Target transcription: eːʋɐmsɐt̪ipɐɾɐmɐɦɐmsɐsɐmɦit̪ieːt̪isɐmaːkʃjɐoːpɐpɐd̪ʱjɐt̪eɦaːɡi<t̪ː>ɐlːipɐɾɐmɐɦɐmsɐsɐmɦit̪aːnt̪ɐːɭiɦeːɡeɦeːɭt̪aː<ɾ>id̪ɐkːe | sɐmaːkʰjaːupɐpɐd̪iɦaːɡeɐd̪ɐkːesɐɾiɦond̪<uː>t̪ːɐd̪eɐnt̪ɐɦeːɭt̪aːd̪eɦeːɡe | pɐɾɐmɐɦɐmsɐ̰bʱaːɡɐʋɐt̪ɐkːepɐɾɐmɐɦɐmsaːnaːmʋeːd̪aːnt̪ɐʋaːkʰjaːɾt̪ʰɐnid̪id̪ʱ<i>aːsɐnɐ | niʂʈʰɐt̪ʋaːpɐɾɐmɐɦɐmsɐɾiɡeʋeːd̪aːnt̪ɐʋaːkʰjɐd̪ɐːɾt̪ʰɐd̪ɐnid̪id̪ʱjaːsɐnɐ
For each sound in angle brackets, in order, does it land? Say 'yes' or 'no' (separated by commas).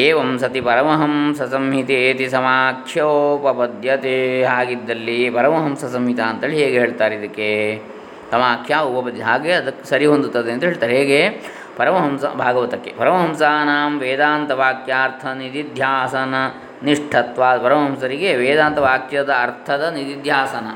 no, yes, no, no